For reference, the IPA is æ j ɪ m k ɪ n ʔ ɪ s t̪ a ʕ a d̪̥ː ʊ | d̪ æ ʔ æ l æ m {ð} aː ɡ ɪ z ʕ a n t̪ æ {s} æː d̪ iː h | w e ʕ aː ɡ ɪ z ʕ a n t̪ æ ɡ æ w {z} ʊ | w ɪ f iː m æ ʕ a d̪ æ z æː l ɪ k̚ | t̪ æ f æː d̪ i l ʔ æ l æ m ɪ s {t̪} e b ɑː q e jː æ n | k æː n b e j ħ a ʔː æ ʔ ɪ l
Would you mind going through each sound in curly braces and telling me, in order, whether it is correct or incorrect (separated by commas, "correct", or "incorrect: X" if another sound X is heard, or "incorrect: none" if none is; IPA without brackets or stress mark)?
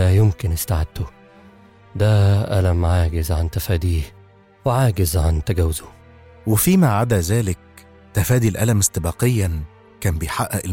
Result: incorrect: ʕ, incorrect: f, correct, correct